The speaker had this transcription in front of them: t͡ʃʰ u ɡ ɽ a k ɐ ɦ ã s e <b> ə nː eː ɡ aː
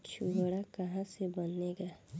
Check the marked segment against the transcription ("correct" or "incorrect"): correct